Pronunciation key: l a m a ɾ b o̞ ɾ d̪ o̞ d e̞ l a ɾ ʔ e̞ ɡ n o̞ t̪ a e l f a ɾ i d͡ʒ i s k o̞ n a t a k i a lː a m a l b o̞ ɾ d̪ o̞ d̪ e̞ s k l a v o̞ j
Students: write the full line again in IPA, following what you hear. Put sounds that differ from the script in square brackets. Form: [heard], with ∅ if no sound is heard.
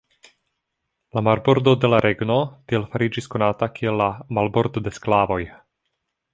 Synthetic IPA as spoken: l a m a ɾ b o̞ ɾ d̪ o̞ d e̞ l a ɾ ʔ e̞ ɡ n o̞ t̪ [i] e l f a ɾ i d͡ʒ i s k o̞ n a t a k i [e] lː a m a l b o̞ ɾ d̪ o̞ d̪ e̞ s k l a v o̞ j